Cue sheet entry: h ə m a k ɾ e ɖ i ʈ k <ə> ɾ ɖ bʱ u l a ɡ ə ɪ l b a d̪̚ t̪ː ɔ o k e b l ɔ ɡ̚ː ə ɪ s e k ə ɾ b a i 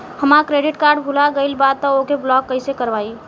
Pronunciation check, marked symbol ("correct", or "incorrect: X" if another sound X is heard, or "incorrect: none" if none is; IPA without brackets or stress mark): incorrect: a